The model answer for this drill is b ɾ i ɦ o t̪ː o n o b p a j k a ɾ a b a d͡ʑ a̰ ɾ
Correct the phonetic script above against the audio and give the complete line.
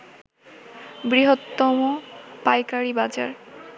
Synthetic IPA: b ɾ i ɦ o t̪ː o m o p a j k a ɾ i b a d͡ʑ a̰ ɾ